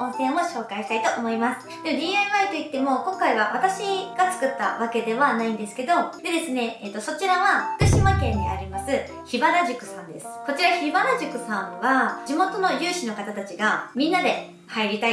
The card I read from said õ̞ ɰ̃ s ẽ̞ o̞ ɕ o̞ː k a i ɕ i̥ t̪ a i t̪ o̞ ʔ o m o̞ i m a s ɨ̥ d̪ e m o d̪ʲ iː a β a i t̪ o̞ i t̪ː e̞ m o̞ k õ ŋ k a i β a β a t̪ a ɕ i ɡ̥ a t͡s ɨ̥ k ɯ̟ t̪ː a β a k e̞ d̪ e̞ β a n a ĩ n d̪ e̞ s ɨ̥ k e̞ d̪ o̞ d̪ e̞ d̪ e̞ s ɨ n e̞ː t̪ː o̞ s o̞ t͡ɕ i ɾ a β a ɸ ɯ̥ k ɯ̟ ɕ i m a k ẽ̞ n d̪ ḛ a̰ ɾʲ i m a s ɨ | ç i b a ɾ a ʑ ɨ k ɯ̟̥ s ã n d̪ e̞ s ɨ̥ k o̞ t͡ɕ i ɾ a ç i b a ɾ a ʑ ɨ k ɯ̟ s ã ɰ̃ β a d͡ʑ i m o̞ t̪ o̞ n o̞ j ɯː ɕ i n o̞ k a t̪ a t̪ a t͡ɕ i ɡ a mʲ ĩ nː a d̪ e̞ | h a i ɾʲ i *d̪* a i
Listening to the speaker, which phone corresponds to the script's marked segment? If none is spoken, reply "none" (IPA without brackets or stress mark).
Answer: t̪